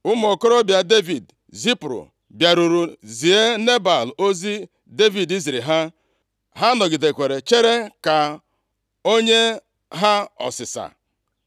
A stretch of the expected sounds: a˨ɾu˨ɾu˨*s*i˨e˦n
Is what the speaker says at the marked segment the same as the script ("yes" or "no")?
no